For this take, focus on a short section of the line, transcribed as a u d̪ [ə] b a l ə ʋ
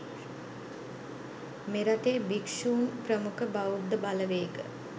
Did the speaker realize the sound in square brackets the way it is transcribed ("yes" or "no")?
yes